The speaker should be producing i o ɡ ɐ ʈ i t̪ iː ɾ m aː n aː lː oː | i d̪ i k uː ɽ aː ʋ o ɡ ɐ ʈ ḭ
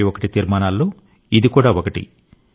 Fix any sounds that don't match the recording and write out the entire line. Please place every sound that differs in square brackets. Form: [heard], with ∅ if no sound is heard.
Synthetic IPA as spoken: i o [k] ɐ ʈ i t̪ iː ɾ m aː n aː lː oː | i d̪ i k uː ɽ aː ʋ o [k] ɐ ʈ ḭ